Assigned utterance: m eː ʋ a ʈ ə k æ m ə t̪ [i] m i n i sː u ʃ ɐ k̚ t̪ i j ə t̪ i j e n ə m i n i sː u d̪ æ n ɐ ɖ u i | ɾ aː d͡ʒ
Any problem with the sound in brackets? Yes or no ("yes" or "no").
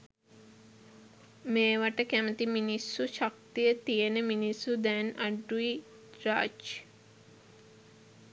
no